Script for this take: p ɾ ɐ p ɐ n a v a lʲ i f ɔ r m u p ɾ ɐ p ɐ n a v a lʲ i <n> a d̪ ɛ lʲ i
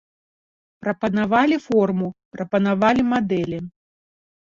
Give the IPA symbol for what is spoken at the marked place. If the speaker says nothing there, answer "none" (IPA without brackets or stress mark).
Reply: m